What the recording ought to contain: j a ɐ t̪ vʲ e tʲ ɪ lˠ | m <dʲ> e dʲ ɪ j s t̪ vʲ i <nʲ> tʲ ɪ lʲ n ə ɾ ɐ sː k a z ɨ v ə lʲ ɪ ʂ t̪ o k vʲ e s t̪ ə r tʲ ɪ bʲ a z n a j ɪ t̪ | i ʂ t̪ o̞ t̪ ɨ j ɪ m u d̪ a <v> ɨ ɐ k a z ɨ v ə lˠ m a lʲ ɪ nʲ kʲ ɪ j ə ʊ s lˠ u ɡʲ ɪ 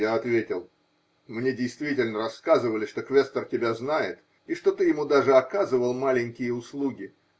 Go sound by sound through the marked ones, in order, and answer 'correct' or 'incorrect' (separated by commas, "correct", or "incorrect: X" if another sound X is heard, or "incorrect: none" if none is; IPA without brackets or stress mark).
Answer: incorrect: nʲ, incorrect: none, incorrect: ʐ